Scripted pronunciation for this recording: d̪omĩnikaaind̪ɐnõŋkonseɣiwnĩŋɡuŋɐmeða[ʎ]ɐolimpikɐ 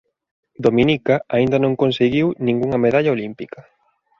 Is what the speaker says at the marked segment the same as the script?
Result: yes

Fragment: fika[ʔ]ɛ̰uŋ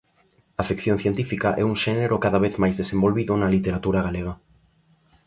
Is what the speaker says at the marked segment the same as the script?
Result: yes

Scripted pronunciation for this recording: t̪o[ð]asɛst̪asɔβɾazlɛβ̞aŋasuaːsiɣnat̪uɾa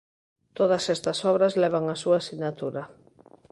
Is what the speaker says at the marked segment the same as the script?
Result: yes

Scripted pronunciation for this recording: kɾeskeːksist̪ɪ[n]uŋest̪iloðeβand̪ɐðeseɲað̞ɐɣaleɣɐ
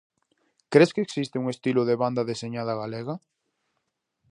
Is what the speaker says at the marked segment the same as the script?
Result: no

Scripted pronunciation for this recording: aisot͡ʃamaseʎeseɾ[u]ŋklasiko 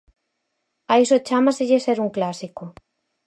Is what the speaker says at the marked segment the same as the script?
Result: yes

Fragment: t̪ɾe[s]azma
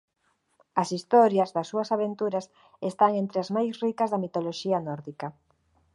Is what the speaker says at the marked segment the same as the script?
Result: no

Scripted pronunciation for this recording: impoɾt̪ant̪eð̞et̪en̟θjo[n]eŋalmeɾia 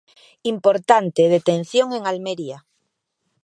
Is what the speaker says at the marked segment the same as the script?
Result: no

